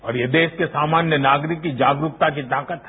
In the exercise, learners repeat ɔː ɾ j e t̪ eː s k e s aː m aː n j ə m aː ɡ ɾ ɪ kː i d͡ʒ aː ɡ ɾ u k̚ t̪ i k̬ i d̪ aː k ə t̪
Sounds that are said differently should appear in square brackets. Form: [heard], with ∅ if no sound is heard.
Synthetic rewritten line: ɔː ɾ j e [d̪] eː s k e s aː m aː n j ə [n] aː ɡ ɾ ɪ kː i d͡ʒ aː ɡ ɾ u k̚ t̪ [a] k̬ i [t̪] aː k ə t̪

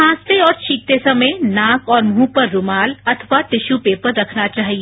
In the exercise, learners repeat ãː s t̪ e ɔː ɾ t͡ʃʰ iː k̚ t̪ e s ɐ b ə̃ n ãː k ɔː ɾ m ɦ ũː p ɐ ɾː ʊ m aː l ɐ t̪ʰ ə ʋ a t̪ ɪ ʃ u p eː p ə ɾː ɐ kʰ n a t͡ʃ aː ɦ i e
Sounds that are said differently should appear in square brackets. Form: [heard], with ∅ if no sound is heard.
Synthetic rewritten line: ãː s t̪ e ɔː ɾ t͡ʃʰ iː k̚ t̪ e s ɐ [m] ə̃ n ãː k ɔː ɾ m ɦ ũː p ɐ ɾː ʊ m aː l ɐ t̪ʰ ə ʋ a t̪ ɪ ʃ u p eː p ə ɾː ɐ kʰ n a t͡ʃ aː ɦ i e

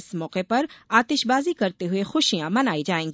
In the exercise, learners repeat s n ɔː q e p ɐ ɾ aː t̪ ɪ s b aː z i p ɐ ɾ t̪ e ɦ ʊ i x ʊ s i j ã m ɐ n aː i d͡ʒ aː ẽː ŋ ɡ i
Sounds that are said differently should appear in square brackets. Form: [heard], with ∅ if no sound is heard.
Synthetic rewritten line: s [m] ɔː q e p ɐ ɾ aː t̪ ɪ [ʃ] b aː z i [k] ɐ ɾ t̪ e ɦ ʊ [e] x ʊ [ʃ] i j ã m ɐ n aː i d͡ʒ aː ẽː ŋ ɡ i

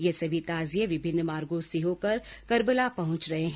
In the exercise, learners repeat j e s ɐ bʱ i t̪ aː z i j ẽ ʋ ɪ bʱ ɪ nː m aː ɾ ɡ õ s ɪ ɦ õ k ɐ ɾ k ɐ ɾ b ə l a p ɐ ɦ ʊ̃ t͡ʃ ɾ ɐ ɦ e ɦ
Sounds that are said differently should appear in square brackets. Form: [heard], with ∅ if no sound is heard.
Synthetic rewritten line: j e s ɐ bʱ i t̪ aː z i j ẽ ʋ ɪ bʱ ɪ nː m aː ɾ ɡ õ s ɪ ɦ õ k ɐ ɾ k ɐ ɾ b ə l a p ɐ ɦ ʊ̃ t͡ʃ ɾ ɐ ɦ e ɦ

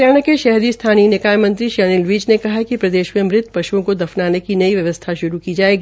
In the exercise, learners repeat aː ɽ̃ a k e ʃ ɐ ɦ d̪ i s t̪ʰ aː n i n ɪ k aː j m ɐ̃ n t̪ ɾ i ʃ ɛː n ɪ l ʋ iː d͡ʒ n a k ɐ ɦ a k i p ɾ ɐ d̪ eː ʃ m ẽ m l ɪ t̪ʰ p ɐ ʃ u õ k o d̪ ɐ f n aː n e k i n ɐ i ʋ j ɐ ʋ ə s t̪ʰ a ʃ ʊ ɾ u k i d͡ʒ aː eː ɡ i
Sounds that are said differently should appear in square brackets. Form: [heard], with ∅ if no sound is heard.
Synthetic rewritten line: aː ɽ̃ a k e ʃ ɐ ɦ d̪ i s t̪ʰ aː n i n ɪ k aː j m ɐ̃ n t̪ ɾ i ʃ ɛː n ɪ l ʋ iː d͡ʒ n [e] k ɐ ɦ a k i p ɾ ɐ d̪ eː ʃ m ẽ m [ɾ] ɪ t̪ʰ p ɐ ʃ u õ k o d̪ ɐ f n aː n e k i n ɐ i ʋ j ɐ ʋ ə s t̪ʰ a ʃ ʊ ɾ u k i d͡ʒ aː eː ɡ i

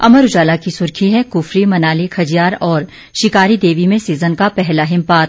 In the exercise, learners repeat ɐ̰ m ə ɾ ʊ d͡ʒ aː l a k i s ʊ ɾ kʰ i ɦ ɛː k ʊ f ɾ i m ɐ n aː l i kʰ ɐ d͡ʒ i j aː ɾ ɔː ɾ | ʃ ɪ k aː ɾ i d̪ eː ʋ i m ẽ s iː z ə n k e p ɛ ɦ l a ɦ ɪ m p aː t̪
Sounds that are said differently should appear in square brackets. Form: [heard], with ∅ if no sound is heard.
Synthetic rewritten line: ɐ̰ m ə ɾ ʊ d͡ʒ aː l a k i s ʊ ɾ kʰ i ɦ [ɛ] k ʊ f ɾ i m ɐ n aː l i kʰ ɐ d͡ʒ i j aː ɾ ɔː ɾ | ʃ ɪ k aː ɾ i d̪ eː ʋ i m ẽ s iː z ə n k [a] p ɛ ɦ l a ɦ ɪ m p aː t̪

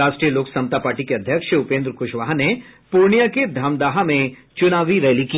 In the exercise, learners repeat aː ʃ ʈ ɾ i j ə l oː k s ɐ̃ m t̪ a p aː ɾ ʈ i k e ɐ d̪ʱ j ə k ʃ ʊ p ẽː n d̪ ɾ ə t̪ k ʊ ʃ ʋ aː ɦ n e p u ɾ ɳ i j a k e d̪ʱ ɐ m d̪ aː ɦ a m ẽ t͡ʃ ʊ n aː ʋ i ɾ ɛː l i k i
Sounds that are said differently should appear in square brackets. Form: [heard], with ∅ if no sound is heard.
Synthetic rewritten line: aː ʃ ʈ ɾ i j ə l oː k s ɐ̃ m t̪ a p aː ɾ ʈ i k e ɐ d̪ʱ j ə k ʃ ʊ p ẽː n d̪ ɾ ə [∅] k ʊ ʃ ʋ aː ɦ n e p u ɾ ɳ i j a k e d̪ʱ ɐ m d̪ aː ɦ a m ẽ t͡ʃ ʊ n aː ʋ i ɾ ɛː l i k i

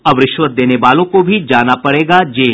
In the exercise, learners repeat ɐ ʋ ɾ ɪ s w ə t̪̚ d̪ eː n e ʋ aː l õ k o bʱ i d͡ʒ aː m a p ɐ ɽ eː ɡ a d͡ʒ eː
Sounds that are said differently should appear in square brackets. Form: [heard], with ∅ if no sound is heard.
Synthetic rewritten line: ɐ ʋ ɾ ɪ [ʃ] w ə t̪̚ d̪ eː n e ʋ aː l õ k o bʱ i d͡ʒ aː [n] a p ɐ ɽ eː ɡ a d͡ʒ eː

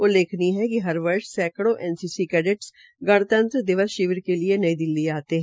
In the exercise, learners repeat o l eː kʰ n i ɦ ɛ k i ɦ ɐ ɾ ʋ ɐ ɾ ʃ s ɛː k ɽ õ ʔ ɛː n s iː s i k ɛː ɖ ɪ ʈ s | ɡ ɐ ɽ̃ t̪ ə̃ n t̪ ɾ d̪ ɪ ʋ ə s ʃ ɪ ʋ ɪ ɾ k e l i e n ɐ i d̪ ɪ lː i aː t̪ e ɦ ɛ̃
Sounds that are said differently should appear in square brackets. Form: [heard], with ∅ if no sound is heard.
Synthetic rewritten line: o l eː kʰ n i ɦ ɛ k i ɦ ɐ ɾ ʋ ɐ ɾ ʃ s ɛː k ɽ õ ʔ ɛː n s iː s i k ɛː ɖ ɪ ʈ s | ɡ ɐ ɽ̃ t̪ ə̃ n t̪ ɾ d̪ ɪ ʋ ə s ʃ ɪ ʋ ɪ ɾ k e l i e n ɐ i d̪ ɪ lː i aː t̪ e ɦ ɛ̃

